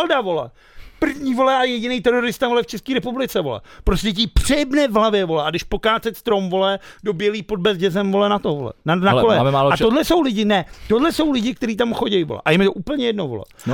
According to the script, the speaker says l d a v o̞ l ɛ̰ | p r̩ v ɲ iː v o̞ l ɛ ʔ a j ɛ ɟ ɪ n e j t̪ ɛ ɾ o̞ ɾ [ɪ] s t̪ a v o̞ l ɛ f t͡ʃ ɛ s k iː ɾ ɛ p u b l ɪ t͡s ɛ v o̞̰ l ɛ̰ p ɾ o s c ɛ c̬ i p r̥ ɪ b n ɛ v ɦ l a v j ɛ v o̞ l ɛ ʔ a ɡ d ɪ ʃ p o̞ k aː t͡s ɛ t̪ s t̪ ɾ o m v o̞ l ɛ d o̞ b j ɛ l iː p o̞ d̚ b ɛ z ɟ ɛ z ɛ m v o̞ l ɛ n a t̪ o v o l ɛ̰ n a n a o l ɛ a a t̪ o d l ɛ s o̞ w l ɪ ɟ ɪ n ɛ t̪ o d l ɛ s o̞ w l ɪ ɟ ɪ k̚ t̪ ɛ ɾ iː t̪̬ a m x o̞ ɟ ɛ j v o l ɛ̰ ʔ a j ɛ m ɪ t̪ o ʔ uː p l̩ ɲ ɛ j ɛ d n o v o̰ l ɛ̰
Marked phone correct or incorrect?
correct